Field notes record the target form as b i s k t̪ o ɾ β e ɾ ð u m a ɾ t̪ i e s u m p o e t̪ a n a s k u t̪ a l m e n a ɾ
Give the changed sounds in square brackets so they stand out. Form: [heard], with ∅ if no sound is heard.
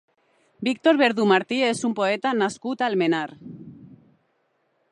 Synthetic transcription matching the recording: b i [∅] k t̪ o ɾ β e ɾ ð u m a ɾ t̪ i e s u m p o e t̪ a n a s k u t̪ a l m e n a ɾ